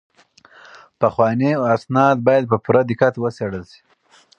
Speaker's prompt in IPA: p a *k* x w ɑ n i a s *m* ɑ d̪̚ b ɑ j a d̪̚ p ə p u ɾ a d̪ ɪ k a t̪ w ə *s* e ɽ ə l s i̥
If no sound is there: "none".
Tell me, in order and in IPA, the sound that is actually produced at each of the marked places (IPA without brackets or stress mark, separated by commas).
none, n, s